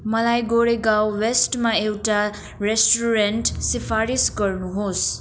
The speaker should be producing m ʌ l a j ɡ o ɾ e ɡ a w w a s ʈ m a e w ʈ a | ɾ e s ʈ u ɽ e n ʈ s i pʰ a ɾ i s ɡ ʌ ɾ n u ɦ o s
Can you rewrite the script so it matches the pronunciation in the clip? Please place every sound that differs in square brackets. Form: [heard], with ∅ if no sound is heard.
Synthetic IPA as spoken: m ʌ l a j ɡ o ɾ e ɡ a w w [e] s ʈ m a e w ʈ a | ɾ e s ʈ u [ɾ] e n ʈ s i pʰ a ɾ i s ɡ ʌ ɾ n u ɦ o s